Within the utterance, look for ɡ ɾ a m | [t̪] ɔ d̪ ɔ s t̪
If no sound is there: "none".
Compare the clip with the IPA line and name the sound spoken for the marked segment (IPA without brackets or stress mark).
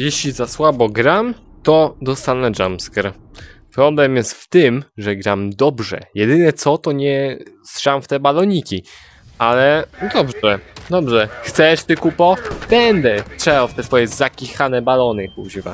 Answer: t̪